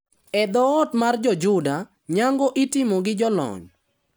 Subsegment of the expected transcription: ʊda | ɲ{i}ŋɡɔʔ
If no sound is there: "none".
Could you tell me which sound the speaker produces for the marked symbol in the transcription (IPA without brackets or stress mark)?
a